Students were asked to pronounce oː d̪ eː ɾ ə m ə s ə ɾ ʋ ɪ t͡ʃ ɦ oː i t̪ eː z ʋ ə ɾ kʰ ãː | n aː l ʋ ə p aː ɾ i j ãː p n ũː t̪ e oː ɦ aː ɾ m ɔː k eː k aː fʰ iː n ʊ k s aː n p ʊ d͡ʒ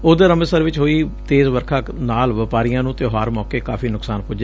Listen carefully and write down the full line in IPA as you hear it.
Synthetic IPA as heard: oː d̪ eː ɾ ə m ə s ə ɾ ʋ ɪ t͡ʃ ɦ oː iː t̪ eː z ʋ ə ɾ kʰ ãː | n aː l ʋ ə p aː ɾ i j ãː n ũː t̪ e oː ɦ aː ɾ m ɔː k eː k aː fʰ iː n ʊ k s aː n p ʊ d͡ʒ